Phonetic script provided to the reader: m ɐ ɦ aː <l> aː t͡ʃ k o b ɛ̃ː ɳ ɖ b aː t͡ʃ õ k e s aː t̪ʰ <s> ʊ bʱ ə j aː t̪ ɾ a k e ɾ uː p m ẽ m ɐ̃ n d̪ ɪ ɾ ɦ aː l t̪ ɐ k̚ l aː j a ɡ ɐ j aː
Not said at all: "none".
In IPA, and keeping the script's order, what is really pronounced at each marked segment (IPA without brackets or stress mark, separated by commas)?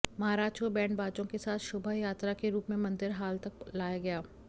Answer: ɾ, ʃ